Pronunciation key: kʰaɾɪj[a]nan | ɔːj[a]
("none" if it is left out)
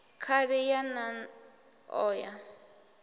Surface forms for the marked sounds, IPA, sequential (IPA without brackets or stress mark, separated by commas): a, a